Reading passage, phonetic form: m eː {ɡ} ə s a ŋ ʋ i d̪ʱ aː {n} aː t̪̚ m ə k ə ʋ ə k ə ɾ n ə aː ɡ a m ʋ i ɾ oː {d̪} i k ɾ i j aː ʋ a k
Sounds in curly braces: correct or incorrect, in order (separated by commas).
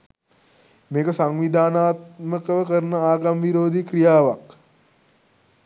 incorrect, correct, correct